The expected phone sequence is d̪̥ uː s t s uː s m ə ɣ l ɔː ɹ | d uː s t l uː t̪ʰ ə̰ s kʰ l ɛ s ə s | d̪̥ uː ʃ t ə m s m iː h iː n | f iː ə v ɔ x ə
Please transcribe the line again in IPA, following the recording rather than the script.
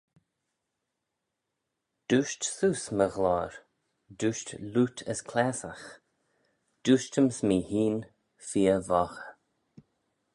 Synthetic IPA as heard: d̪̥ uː ʃ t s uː s m ə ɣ l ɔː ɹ | d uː ʃ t l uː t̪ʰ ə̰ s kʰ l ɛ s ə x | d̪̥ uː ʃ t ə m s m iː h iː n | f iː ə v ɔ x ə